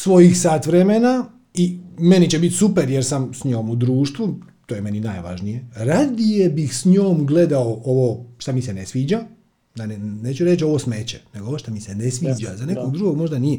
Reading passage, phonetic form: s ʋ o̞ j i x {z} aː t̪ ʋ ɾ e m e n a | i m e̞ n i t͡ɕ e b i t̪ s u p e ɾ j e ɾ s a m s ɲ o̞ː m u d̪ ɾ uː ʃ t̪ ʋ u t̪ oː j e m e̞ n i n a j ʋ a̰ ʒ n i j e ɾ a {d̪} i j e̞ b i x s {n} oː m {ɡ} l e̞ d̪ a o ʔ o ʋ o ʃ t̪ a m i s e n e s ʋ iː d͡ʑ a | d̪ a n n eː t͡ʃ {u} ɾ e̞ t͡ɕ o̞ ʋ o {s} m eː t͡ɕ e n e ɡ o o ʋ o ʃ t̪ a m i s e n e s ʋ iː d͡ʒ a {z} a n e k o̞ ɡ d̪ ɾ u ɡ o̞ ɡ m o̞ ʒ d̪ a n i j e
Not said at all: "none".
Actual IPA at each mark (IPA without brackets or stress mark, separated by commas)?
s, d̪, ɲ, ɡ, u, s, z